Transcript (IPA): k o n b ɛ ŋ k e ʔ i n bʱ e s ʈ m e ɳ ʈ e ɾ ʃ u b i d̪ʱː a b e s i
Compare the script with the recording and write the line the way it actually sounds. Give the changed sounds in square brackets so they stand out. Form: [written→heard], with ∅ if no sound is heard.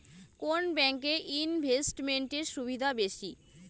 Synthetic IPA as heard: k o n b ɛ ŋ k e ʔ i n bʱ e s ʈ m e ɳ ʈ e ɾ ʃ u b i [d̪ʱː→d̪ʱ] a b e [s→ʃ] i